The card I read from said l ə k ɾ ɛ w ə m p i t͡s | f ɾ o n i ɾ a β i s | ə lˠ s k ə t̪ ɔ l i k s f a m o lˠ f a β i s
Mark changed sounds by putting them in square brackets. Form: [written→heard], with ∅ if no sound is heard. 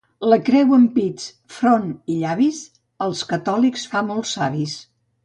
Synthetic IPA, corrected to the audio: l ə k ɾ ɛ w ə m p i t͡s | f ɾ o n i [ɾ→ʎ] a β i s | ə lˠ s k ə t̪ ɔ l i k s f a m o lˠ [f→s] a β i s

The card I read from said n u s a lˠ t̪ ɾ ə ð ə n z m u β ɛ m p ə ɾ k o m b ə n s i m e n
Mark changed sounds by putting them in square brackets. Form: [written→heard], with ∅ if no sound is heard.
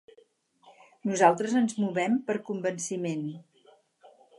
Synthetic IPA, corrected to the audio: n u [s→z] a lˠ t̪ ɾ ə [ð→z] ə n z m u β ɛ m p ə ɾ k [o→u] m b ə n s i m e n

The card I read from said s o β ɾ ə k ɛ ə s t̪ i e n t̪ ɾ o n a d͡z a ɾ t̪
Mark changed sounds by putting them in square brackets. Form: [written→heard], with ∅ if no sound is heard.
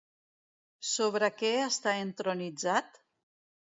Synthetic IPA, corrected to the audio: s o β ɾ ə k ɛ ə s t̪ [i→a] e n t̪ ɾ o n [a→i] d͡z a [ɾ→∅] t̪

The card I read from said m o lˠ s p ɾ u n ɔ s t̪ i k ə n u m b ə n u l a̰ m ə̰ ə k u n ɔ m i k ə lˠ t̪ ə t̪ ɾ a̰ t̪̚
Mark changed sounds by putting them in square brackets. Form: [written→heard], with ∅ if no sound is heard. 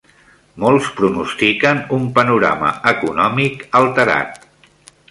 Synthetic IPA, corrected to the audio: m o lˠ s p ɾ u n [ɔ→u] s t̪ i k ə n u m [b→p] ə n u [l→ɾ] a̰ m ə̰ ə k u n ɔ m i k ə lˠ t̪ ə [t̪→∅] ɾ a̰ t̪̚

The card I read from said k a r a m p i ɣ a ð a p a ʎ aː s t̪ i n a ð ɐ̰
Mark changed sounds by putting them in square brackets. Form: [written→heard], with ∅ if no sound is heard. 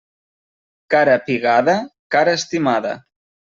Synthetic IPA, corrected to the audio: k a [r→ɾ] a [m→∅] p i ɣ a ð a [p→k] a [ʎ→ɾ] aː s t̪ i [n→m] a ð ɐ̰

